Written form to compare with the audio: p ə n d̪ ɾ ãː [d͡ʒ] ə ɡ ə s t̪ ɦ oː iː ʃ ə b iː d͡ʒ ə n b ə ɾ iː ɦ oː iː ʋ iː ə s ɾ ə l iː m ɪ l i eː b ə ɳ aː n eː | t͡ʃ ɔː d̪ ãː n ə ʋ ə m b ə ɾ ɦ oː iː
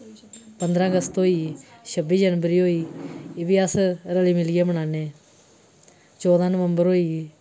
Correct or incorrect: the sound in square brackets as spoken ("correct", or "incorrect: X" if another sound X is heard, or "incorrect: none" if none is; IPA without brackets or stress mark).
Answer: incorrect: none